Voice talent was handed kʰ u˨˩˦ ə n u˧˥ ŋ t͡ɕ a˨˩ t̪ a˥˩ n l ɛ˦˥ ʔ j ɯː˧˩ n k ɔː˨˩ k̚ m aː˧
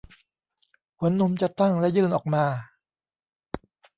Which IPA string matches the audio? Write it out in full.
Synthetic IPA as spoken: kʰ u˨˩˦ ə nː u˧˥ m t͡ɕ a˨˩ t̪ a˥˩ ŋ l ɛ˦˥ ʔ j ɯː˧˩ n ʔ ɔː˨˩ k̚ m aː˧